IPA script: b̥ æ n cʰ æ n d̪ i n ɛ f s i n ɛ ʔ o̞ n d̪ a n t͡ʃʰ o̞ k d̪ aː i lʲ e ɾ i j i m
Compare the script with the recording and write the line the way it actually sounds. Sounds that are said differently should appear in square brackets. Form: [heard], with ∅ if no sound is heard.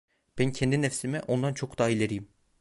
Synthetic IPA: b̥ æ n cʰ [ɛ] n d̪ i n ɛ f s i [m] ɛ ʔ o̞ n d̪ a n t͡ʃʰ o̞ k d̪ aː i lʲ e ɾ i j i m